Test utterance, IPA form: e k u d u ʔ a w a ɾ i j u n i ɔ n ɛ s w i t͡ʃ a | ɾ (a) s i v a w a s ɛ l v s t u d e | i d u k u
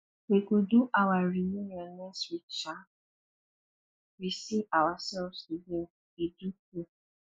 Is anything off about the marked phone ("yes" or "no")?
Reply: yes